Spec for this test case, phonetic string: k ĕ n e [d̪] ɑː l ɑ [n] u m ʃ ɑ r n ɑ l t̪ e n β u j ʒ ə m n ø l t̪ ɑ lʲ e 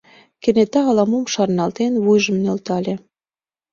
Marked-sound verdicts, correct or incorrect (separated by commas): incorrect, incorrect